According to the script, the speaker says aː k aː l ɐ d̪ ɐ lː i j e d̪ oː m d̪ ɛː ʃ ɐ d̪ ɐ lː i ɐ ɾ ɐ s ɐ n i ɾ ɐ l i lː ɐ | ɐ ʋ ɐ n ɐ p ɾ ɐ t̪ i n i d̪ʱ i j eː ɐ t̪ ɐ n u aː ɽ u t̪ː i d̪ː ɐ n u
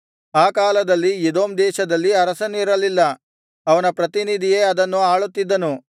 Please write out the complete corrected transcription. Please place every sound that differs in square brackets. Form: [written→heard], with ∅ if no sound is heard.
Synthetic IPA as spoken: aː k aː l ɐ d̪ ɐ lː i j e d̪ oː m d̪ ɛː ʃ ɐ d̪ ɐ lː i ɐ ɾ ɐ s ɐ n i ɾ ɐ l i lː ɐ | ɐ ʋ ɐ n ɐ p ɾ ɐ t̪ i n i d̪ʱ i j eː ɐ [t̪→d̪] ɐ [n→nː] u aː [ɽ→ɭ] u t̪ː i d̪ː ɐ n u

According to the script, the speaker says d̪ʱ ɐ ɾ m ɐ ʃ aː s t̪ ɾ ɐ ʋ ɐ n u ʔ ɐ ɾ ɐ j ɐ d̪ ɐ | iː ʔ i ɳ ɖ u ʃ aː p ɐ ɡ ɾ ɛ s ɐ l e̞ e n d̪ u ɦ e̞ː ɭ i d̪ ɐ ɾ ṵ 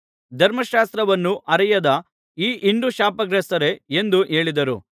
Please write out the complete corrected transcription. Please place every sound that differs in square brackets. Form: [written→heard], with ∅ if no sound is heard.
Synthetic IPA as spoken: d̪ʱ ɐ ɾ m ɐ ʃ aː s t̪ ɾ ɐ ʋ ɐ [n→nː] u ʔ ɐ ɾ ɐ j ɐ d̪ ɐ | iː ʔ i ɳ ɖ u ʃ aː p ɐ ɡ ɾ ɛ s ɐ [l→ɾ] e̞ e n d̪ u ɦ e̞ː ɭ i d̪ ɐ ɾ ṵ

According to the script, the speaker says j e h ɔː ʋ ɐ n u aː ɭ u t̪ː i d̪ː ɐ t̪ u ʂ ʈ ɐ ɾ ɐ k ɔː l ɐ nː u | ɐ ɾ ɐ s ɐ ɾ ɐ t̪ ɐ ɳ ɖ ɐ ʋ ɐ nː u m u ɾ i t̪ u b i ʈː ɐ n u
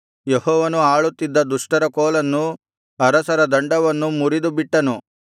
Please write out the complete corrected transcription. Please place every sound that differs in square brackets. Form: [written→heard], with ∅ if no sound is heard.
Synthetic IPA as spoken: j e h ɔː ʋ ɐ n u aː ɭ u t̪ː i d̪ː ɐ [t̪→d̪] u ʂ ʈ ɐ ɾ ɐ k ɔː l ɐ nː u | ɐ ɾ ɐ s ɐ ɾ ɐ [t̪→d̪] ɐ ɳ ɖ ɐ ʋ ɐ nː u m u ɾ i [t̪→d̪] u b i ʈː ɐ n u

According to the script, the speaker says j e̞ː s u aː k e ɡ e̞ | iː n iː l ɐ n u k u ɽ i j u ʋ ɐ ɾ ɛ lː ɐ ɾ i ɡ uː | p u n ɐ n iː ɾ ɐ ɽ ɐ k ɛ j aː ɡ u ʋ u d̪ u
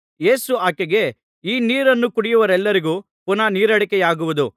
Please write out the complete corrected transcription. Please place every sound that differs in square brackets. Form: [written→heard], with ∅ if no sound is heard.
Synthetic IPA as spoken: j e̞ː s u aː k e ɡ e̞ | iː n iː [l→ɾ] ɐ [n→nː] u k u ɽ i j u ʋ ɐ ɾ ɛ lː ɐ ɾ i ɡ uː | p u n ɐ n iː ɾ ɐ ɽ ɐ k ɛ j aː ɡ u ʋ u d̪ u

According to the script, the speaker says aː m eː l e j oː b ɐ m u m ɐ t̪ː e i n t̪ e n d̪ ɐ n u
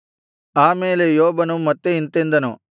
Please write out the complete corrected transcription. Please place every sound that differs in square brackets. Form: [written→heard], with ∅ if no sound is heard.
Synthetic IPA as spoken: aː m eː l e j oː b ɐ [m→n] u m ɐ t̪ː e i n t̪ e n d̪ ɐ n u

